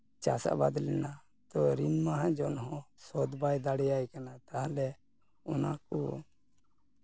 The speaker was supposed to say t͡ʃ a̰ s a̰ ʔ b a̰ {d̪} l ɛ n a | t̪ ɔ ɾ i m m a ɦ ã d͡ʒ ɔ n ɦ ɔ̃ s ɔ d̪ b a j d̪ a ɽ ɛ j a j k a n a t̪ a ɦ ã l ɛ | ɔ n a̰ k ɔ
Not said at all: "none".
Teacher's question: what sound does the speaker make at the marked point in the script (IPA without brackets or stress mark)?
d̪